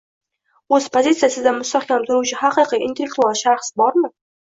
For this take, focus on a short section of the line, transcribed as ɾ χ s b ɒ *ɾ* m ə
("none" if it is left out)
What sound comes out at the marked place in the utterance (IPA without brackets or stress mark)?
ɾ